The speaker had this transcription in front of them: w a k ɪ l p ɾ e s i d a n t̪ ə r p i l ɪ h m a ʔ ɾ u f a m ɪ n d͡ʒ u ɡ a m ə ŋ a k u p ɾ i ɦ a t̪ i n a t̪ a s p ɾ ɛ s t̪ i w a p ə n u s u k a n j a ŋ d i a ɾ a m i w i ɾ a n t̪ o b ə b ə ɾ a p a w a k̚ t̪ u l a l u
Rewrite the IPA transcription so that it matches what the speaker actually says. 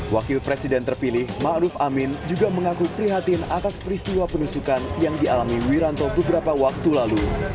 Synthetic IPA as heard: w a k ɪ l p ɾ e s i d ɛ n t̪ ə r p i l ɪ h m a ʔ ɾ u f a m ɪ n d͡ʒ u ɡ a m ə ŋ a k u p ɾ i ɦ a t̪ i n a t̪ a s p ɾ i s t̪ i w a p ə n u s u k a n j a ŋ d i a l a m i w i ɾ a n t̪ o b ə b ə ɾ a p a w a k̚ t̪ u l a l u